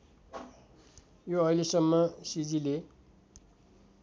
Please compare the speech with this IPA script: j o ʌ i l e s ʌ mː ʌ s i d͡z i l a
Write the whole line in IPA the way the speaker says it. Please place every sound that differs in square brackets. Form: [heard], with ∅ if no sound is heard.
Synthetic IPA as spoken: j o ʌ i l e s ʌ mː ʌ s i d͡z i l [e]